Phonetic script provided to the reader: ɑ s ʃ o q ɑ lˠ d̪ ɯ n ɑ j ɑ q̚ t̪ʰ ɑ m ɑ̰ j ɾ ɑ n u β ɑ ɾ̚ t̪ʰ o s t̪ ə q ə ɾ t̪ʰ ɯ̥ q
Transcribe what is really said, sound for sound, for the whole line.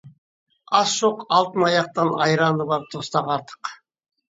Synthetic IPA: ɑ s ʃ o q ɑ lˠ t̪ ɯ n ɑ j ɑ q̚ t̪ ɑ n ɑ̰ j ɾ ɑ n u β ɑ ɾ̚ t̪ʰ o s t̪ ɑ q ɑ ɾ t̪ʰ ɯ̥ q

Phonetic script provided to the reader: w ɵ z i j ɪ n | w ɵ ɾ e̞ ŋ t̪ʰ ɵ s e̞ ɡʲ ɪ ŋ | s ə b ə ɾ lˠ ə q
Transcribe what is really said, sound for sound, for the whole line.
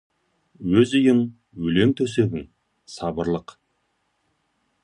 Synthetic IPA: w ɵ z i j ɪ ŋ | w ɵ l e̞ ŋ t̪ʰ ɵ s e̞ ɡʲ ɪ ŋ | s ɑ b ə ɾ lˠ ə q

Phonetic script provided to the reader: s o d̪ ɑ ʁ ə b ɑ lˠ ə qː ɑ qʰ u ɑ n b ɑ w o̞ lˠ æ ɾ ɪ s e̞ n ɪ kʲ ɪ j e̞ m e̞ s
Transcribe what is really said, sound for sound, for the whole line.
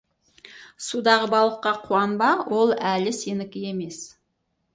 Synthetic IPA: s u d̪ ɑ ʁ ə b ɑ lˠ ə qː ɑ qʰ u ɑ n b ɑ w o̞ lˠ æ l ɪ s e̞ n ɪ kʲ ɪ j e̞ m e̞ s

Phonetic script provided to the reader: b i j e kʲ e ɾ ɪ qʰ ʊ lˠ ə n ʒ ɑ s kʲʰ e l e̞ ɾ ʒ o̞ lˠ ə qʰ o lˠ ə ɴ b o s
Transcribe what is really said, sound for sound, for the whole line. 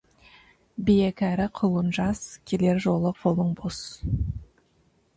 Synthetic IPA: b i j e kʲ æ ɾ ɪ qʰ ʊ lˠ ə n ʒ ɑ s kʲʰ e l e̞ ɾ ʒ o̞ lˠ ə qʰ o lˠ ə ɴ b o s

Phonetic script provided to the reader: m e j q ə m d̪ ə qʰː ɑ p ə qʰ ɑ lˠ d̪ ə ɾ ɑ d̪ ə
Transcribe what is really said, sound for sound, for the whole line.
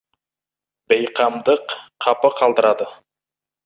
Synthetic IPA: b e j q ɑ m d̪ ə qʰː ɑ p ə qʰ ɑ lˠ d̪ ə ɾ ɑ d̪ ə

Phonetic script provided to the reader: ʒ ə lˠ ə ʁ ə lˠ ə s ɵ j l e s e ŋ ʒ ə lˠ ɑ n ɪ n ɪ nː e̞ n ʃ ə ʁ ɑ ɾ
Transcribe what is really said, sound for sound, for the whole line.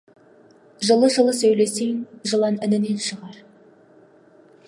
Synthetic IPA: ʒ ə lˠ ə ʒ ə lˠ ə s ɵ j l e s e ŋ ʒ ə lˠ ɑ n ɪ n ɪ n e̞ n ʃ ə ʁ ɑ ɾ

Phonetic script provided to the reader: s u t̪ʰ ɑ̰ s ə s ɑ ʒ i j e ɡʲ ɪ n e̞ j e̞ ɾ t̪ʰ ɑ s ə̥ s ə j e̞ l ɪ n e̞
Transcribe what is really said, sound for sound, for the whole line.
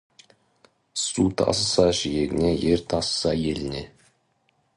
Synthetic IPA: s u t̪ʰ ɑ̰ s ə s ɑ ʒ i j e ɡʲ ɪ n e̞ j e̞ ɾ t̪ʰ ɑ s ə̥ s ɑ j e̞ l ɪ n e̞

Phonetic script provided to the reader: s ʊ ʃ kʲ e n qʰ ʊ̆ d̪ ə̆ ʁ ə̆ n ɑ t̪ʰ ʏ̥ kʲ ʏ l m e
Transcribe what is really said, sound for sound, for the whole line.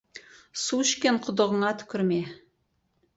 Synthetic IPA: s u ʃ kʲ e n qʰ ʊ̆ d̪ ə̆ ʁ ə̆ ɴ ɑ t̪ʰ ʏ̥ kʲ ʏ ɾ m e

